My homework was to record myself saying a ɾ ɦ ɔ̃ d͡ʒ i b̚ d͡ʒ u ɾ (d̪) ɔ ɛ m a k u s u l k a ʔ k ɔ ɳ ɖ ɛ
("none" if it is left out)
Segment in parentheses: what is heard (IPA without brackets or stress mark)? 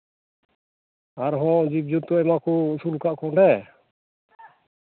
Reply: t̪